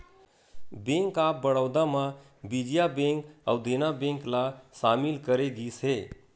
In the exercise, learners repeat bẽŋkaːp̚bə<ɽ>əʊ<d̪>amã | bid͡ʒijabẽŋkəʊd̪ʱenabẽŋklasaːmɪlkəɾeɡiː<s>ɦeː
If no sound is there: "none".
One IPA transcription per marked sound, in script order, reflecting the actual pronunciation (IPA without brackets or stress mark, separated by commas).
ɽ, d̪, s